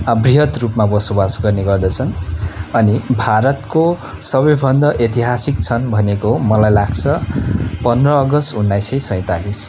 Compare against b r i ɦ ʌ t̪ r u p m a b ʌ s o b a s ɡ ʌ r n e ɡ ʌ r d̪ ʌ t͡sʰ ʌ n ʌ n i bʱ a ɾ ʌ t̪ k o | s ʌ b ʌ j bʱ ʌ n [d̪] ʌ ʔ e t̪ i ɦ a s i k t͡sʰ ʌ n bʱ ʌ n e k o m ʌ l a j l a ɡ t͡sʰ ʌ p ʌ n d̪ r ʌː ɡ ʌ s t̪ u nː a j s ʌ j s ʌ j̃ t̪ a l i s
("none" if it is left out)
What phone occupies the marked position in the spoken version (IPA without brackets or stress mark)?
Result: d̪